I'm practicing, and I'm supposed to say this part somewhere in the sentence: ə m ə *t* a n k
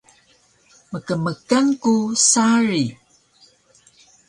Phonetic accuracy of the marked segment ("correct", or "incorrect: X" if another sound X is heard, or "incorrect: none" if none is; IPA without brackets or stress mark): incorrect: k